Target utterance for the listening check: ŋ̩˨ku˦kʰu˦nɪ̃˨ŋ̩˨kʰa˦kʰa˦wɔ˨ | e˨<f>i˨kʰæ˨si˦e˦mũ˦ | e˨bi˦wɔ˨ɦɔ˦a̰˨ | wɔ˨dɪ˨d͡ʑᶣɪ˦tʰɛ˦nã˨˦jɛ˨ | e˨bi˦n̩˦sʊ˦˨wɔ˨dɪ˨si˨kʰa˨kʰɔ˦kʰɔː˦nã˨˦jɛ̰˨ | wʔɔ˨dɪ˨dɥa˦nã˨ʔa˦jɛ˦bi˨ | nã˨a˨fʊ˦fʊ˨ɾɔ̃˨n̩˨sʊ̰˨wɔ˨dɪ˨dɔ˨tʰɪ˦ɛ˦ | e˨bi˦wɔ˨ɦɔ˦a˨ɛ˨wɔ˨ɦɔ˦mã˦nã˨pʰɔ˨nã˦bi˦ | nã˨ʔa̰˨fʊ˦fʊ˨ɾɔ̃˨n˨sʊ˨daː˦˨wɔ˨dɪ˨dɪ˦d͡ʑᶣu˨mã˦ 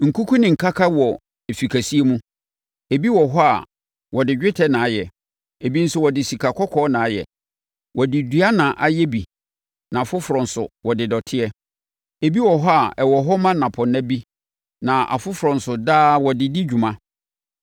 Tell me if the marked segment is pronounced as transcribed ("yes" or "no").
yes